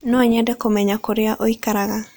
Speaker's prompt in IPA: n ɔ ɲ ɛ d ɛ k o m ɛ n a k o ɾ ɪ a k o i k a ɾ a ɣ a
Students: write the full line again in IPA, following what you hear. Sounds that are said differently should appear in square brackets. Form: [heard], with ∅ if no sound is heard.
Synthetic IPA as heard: n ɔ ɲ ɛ d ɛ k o m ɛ [ɲ] a k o ɾ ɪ a [ʔ] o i k a ɾ a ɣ a